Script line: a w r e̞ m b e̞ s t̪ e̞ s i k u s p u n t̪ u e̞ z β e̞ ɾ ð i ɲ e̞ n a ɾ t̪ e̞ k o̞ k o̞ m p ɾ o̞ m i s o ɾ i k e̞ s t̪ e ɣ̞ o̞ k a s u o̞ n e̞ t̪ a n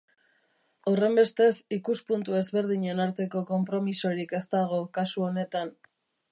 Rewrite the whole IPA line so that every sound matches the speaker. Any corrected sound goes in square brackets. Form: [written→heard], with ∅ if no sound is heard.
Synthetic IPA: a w r e̞ m b e̞ s t̪ e̞ s i k u s p u n t̪ u e̞ z β e̞ ɾ ð i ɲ e̞ n a ɾ t̪ e̞ k o̞ k o̞ m p ɾ o̞ m i s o ɾ i k e̞ s t̪ [e→a] ɣ̞ o̞ k a s u o̞ n e̞ t̪ a n